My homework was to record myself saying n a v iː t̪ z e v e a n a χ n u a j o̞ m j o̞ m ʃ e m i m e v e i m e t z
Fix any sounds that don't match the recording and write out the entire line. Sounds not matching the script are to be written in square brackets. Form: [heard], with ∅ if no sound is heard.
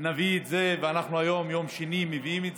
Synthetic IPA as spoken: n a v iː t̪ z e v e a n a χ n u a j o̞ m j o̞ m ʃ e [n] i m e v [i] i m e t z

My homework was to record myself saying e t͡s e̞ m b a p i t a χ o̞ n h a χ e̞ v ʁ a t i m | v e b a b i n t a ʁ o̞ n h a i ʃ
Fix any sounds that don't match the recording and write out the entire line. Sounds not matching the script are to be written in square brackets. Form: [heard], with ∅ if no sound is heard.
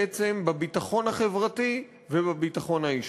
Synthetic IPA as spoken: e t͡s e̞ m b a [b] i t a χ o̞ n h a χ e̞ v ʁ a t i [∅] | v e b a b i [∅] t a [χ] o̞ n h a i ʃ

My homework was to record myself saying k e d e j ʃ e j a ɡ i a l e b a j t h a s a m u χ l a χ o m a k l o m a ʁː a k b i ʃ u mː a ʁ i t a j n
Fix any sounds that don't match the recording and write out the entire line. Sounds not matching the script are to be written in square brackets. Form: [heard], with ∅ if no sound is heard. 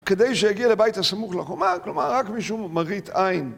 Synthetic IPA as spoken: k e d e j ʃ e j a ɡ i a l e b a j t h a s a m u χ l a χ o m a k l o m a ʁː a k [m] i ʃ u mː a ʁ i t a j n

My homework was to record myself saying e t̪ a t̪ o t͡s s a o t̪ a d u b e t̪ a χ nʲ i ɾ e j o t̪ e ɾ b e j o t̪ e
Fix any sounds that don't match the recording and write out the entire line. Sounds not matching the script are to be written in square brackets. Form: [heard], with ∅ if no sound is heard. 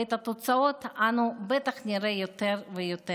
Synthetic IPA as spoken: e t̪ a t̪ o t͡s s a o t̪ a [n] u b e t̪ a χ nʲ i ɾ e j o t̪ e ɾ [v] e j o t̪ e

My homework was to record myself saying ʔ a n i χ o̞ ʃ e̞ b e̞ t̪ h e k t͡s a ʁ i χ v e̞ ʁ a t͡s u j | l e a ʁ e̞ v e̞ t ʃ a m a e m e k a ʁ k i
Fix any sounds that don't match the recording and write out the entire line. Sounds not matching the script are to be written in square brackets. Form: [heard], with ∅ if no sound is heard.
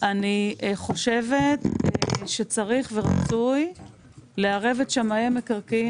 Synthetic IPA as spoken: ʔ a n i χ o̞ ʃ e̞ [v] e̞ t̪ [ʃ] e [∅] t͡s a ʁ i χ v e̞ ʁ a t͡s u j | l e a ʁ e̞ v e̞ t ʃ a m a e m e k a ʁ k i

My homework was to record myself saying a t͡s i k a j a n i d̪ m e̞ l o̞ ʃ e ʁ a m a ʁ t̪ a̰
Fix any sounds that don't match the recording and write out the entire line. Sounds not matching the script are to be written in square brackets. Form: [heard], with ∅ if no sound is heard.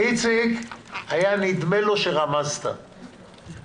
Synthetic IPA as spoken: [i] t͡s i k a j a n i d̪ m e̞ l o̞ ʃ e ʁ a m a [z] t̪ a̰

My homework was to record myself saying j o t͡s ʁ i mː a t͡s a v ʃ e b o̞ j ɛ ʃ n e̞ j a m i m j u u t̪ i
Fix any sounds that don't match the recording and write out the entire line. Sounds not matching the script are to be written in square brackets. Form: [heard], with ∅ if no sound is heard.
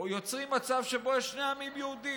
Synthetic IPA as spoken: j o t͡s ʁ i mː a t͡s a v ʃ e b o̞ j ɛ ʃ n e̞ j a m i m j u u [d̪] i

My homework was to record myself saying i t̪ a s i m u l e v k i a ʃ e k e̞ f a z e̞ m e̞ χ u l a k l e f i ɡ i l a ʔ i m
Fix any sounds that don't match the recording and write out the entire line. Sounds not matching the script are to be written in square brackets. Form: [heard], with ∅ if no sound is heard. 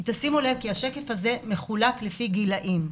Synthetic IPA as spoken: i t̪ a s i m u l e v k i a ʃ e k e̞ f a z e̞ m e̞ χ u l a k l e f i ɡ i l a ʔ i m

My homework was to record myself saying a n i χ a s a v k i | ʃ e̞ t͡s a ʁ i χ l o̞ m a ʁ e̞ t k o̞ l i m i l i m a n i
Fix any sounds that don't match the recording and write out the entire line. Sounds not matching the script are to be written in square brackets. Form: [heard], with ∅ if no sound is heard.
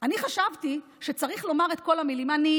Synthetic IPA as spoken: a n i χ a [ʃ] a v [t] i | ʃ e̞ t͡s a ʁ i χ l o̞ m a ʁ e̞ t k o̞ l [a] m i l i m a n i

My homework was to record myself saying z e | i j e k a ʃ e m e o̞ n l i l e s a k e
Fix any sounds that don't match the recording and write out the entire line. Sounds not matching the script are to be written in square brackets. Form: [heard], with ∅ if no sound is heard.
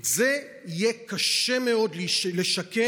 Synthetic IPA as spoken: z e | i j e k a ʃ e m e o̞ [d] l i l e [ʃ] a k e

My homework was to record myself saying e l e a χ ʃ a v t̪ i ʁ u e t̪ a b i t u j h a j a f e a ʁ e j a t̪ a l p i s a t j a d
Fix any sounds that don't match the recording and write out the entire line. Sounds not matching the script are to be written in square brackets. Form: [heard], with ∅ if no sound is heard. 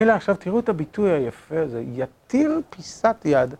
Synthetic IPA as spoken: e l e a χ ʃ a v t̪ i ʁ u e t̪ a b i t u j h a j a f e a [z] e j a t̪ [i] l p i s a t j a d

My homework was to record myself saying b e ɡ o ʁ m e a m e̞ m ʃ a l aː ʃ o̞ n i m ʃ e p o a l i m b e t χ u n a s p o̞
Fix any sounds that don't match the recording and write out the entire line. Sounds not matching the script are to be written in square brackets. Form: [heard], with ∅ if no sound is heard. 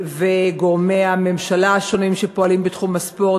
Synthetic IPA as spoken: [v] e ɡ o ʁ m e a m e̞ m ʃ a l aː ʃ o̞ n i m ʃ e p o a l i m b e t χ u [m] a s p o̞

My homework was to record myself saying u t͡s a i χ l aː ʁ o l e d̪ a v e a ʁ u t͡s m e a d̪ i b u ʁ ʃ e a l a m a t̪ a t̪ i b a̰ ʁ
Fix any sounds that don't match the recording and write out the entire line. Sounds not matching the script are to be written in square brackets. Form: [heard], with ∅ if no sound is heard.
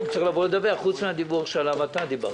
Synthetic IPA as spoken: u t͡s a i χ l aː [v] o l e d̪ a v e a [χ] u t͡s m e a d̪ i b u ʁ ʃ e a l a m a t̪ a [d̪] i b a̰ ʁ

